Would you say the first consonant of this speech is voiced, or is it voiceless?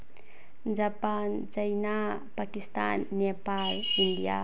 voiced